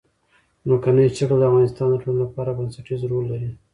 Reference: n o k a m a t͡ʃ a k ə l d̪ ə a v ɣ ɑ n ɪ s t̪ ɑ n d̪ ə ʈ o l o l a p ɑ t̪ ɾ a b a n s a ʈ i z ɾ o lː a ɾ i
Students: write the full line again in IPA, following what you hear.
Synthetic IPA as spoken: n o k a n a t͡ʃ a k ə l d̪ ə a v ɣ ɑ n ɪ s t̪ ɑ n d̪ ə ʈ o l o l a p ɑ ɾ a b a n s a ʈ i z ɾ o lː a ɾ i